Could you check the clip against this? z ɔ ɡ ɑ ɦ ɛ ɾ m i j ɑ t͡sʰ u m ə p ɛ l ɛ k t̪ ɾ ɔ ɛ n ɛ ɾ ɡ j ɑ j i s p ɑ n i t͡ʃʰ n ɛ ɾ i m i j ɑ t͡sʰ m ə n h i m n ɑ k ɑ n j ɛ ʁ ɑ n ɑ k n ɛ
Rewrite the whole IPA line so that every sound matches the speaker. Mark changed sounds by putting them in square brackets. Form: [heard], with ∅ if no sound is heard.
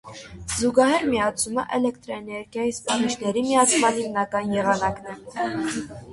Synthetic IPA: z [u] ɡ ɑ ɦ ɛ ɾ m i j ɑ t͡sʰ u m ə [ʔ] ɛ l ɛ k t̪ ɾ ɔ ɛ n ɛ ɾ ɡ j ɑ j i s p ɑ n i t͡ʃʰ n ɛ ɾ i m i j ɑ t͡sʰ m [ɑ] n h i m n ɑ k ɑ n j ɛ ʁ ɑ n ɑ k n ɛ

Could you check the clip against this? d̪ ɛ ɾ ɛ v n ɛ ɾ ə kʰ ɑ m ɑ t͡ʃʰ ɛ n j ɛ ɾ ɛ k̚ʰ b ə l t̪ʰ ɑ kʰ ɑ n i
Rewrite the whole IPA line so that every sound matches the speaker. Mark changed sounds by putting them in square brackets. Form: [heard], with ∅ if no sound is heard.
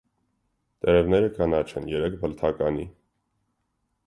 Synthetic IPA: [t̪] ɛ ɾ ɛ v n ɛ ɾ ə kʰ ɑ [n] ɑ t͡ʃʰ ɛ n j ɛ ɾ ɛ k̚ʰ b ə l t̪ʰ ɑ [k] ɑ n i

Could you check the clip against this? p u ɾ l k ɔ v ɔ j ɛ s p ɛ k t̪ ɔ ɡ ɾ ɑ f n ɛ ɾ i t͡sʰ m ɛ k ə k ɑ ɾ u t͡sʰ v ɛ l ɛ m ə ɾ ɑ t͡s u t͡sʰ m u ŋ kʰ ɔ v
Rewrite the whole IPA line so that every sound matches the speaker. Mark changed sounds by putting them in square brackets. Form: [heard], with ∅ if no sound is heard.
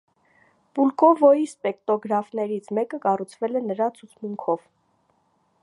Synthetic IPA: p u [∅] l k ɔ v ɔ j [i] s p ɛ k t̪ ɔ ɡ ɾ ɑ f n ɛ ɾ i t͡sʰ m ɛ k ə k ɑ [r] u t͡sʰ v ɛ l ɛ [n] ə ɾ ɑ [t͡sʰ] u t͡sʰ m u ŋ kʰ ɔ v

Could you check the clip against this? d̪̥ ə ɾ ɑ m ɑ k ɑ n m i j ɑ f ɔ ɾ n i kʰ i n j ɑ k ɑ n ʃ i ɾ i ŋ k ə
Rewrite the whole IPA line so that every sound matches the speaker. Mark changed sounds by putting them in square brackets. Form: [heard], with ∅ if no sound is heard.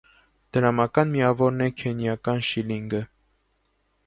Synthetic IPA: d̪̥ ə ɾ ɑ m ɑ k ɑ n m i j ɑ [v] ɔ ɾ n [ɛ] kʰ [ɛ] n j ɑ k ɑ n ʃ i [l] i ŋ [ɡ] ə

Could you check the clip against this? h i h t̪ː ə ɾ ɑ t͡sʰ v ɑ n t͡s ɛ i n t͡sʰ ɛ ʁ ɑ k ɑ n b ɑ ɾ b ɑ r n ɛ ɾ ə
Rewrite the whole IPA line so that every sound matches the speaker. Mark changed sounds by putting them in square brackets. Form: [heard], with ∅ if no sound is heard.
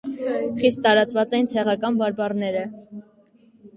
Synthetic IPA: [χ] i [s] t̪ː [ɑ] ɾ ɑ [t͡s] v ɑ [∅] t͡s ɛ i n t͡sʰ ɛ ʁ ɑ k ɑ n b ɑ ɾ b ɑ r n ɛ ɾ ə

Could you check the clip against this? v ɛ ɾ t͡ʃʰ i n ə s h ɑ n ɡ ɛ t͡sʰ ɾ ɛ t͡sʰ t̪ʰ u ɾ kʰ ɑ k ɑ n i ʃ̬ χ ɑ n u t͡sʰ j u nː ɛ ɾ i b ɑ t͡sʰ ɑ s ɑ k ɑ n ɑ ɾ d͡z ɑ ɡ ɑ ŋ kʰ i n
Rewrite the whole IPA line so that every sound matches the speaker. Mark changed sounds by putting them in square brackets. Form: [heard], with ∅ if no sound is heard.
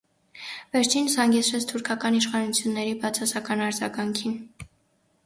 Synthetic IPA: v ɛ ɾ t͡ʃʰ i n ə s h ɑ [ŋ] ɡ ɛ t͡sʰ ɾ ɛ t͡sʰ t̪ʰ u ɾ kʰ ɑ k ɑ n i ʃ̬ χ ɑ n u t͡sʰ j u nː ɛ ɾ i b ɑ t͡sʰ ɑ s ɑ k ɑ n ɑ ɾ d͡z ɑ ɡ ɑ ŋ kʰ i n

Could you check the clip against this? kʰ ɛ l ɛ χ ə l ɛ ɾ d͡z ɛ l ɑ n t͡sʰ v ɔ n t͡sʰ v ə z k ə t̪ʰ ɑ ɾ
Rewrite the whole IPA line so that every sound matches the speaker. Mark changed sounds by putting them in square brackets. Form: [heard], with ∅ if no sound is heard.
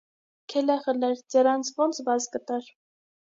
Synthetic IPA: kʰ ɛ l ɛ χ ə l ɛ ɾ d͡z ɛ [ɾ] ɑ n t͡sʰ v ɔ n t͡sʰ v [ɑ] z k ə [t̪] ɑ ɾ

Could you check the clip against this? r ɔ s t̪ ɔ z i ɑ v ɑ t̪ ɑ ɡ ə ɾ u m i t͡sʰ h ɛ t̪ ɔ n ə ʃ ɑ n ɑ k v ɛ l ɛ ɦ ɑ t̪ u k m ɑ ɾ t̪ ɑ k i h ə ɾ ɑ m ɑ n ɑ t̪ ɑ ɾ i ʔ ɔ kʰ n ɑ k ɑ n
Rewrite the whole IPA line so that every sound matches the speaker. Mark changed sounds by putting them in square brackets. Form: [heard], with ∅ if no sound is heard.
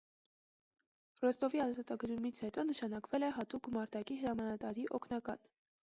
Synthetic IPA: r ɔ s t̪ ɔ [v] i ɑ [z] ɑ t̪ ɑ ɡ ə ɾ u m i t͡sʰ h ɛ t̪ ɔ n ə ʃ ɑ n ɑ k v ɛ l ɛ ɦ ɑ t̪ u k m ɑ ɾ t̪ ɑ k i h ə ɾ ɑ m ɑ n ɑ t̪ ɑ ɾ i ʔ ɔ kʰ n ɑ k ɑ n

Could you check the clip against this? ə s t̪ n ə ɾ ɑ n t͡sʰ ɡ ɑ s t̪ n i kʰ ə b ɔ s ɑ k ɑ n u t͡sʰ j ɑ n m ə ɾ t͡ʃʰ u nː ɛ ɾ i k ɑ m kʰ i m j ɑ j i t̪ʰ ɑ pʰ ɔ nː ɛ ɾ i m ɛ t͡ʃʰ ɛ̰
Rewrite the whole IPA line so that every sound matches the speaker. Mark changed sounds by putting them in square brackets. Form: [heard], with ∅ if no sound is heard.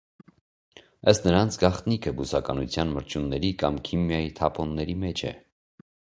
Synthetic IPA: ə s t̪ n ə ɾ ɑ n t͡sʰ ɡ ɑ [χ] t̪ n i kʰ ə b [u] s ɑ k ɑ n u t͡sʰ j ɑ n m ə ɾ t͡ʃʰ u nː ɛ ɾ i k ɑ m kʰ i m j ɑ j i t̪ʰ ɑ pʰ ɔ nː ɛ ɾ i m ɛ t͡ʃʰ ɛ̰

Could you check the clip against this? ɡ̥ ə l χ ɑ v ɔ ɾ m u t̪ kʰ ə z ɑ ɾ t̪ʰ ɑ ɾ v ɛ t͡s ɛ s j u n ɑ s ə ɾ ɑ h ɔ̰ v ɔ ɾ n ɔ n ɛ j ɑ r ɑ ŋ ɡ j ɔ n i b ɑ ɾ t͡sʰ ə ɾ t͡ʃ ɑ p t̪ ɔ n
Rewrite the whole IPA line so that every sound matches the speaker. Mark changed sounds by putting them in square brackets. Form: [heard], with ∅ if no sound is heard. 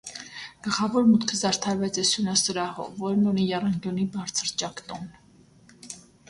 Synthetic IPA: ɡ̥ ə l χ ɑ v ɔ ɾ m u t̪ kʰ ə z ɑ ɾ t̪ʰ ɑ ɾ v ɛ t͡s ɛ s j u n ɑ s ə ɾ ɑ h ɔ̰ v ɔ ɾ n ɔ n [i] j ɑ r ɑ ŋ ɡ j ɔ n i b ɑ ɾ t͡sʰ ə ɾ t͡ʃ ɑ [k] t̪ ɔ n

